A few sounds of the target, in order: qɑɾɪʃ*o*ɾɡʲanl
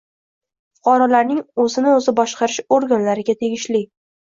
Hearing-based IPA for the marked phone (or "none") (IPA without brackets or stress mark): o